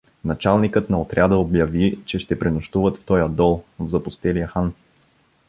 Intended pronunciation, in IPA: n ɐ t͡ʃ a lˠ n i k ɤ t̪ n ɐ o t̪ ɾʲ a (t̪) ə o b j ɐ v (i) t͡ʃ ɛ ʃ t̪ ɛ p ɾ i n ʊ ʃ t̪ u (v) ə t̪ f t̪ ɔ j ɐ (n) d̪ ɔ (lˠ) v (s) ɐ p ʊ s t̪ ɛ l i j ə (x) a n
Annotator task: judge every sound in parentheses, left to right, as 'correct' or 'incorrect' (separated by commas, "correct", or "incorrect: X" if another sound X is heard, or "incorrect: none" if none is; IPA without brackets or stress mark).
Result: incorrect: d̪, correct, correct, incorrect: none, correct, incorrect: z, correct